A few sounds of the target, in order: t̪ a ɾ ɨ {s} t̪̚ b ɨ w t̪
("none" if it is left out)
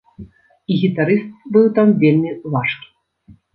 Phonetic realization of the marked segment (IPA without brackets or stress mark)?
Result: s